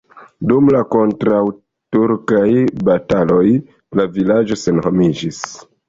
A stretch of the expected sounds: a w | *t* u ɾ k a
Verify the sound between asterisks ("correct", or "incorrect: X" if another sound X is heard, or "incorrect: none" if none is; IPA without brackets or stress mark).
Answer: correct